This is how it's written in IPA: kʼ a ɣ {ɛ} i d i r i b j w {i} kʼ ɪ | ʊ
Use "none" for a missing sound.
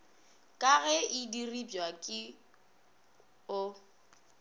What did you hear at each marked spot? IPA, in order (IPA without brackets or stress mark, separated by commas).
ɛ, a